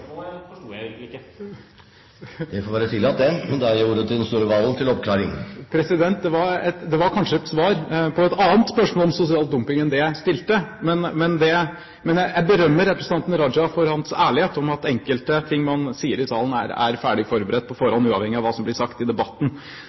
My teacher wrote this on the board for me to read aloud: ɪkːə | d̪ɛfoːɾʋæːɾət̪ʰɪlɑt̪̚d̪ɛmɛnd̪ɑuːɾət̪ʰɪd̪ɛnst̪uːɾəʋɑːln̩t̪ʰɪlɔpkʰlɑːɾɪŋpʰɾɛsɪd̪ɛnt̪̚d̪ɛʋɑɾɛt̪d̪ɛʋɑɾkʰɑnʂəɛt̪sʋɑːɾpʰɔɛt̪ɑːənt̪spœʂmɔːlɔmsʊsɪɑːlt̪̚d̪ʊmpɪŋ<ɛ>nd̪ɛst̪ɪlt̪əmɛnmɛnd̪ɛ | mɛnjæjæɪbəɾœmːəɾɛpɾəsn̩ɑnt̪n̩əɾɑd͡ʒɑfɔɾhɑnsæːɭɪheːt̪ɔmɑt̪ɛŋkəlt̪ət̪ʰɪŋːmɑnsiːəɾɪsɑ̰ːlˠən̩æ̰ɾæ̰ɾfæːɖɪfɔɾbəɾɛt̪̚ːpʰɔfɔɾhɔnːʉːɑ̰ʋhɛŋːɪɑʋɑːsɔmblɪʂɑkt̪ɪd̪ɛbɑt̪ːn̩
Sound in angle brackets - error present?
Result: no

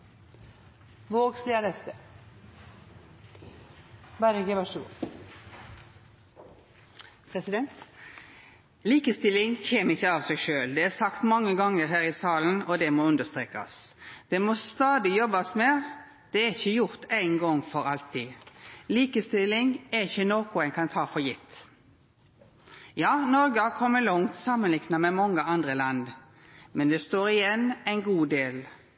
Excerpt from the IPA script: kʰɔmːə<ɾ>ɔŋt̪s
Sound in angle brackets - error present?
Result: yes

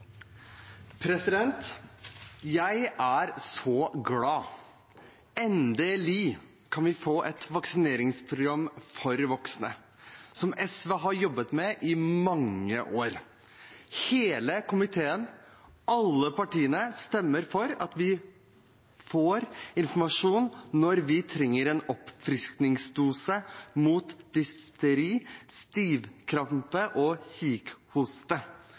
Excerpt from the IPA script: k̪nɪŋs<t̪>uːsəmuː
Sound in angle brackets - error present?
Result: yes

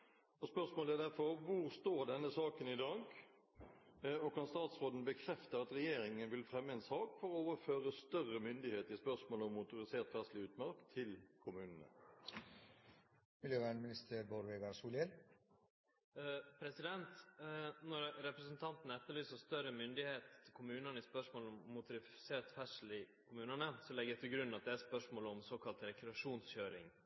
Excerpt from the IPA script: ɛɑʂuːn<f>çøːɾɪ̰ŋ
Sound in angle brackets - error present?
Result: yes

